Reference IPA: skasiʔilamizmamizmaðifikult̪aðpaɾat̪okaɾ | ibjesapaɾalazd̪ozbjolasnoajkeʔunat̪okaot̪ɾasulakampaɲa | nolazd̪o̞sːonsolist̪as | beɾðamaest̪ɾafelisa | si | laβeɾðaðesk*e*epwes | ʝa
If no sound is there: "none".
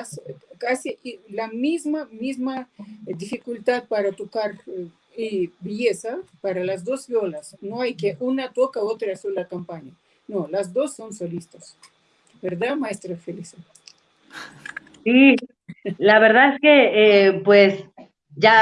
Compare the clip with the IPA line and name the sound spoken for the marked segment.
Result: e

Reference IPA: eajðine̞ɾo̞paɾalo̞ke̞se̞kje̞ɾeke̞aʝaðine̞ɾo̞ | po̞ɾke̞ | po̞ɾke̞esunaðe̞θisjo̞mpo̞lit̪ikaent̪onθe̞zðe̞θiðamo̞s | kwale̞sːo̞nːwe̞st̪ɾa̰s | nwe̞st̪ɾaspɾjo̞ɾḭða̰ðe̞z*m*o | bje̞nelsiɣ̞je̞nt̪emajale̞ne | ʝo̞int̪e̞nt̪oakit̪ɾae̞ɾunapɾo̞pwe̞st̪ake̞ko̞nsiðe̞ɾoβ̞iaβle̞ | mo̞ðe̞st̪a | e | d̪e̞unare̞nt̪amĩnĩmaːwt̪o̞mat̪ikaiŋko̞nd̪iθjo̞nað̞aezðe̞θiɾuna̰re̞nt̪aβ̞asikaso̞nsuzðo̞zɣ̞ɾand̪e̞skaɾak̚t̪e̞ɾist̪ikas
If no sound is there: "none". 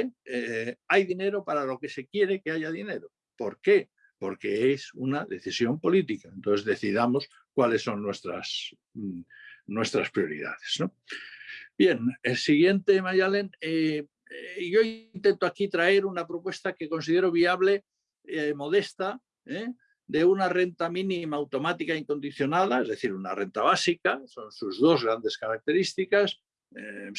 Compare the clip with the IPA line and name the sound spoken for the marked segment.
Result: n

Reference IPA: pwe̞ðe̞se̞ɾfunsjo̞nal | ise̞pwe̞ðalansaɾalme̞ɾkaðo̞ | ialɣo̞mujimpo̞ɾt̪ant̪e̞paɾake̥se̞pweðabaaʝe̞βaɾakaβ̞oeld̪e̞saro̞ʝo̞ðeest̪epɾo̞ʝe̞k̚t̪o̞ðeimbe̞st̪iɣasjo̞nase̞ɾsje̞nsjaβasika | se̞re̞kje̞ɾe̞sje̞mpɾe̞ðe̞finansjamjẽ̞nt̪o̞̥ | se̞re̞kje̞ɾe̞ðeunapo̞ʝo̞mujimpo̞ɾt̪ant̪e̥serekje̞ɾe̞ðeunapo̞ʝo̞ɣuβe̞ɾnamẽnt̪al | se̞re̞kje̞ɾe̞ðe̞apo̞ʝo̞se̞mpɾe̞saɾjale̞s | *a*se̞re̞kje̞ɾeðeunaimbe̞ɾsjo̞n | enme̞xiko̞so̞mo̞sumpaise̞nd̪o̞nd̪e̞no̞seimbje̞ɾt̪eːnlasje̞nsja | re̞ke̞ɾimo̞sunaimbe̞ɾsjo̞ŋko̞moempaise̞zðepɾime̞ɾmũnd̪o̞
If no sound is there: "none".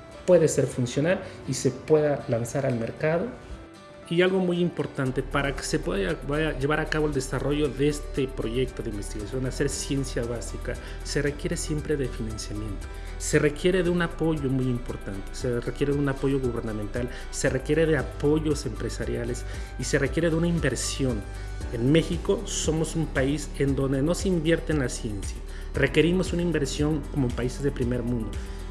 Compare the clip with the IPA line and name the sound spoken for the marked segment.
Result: i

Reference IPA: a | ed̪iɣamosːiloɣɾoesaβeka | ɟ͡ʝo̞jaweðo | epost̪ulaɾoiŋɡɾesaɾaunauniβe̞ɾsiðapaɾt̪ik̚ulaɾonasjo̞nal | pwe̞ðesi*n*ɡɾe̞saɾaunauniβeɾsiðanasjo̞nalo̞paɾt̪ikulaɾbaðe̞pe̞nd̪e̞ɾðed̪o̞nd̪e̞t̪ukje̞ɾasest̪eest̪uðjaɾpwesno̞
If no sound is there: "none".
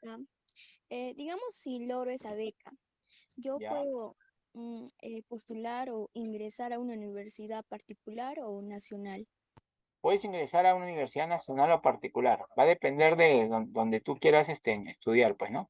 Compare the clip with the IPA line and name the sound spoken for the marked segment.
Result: ŋ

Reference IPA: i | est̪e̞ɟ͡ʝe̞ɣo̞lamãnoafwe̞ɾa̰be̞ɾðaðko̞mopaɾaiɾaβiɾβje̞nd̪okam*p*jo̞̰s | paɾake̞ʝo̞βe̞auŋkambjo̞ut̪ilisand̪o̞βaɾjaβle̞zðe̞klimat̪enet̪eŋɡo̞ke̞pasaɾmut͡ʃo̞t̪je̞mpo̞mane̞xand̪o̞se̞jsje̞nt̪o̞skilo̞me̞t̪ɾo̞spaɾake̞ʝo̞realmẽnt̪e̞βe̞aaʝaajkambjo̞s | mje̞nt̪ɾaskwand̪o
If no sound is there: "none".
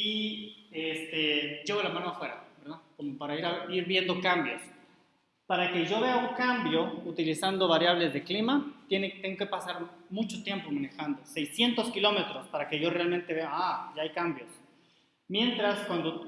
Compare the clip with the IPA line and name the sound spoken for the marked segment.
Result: b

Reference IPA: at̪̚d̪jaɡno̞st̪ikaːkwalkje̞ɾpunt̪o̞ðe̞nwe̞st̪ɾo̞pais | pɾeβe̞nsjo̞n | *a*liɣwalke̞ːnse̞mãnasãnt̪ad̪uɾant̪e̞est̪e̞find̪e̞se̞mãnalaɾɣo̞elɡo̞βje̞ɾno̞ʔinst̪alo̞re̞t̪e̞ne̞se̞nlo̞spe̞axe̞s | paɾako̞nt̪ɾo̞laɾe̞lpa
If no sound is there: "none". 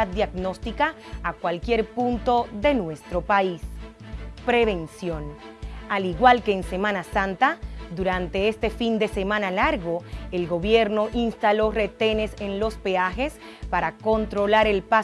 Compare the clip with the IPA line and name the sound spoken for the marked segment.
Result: a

